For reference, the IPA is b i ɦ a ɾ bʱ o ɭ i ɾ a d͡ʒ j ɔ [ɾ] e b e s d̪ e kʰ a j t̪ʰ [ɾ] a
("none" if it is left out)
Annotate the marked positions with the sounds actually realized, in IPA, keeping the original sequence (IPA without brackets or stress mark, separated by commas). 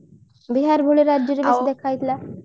ɾ, l